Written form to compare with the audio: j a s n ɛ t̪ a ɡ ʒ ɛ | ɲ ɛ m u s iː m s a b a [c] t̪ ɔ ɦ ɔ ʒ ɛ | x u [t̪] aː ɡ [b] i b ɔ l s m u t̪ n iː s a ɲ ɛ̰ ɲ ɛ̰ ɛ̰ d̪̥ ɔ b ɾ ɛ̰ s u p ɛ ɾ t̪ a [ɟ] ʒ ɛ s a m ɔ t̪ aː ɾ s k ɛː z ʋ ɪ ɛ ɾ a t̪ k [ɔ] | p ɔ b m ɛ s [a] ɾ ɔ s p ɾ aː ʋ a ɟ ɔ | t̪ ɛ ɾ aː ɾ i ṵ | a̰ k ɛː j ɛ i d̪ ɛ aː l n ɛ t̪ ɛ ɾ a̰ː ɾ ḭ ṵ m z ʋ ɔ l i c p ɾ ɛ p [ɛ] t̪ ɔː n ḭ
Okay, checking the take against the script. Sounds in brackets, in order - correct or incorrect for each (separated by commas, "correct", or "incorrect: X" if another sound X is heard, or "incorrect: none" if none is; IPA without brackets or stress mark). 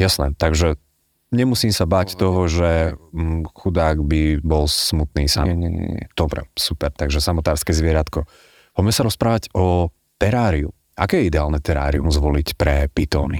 correct, incorrect: d̪, correct, incorrect: ɡ, correct, correct, incorrect: i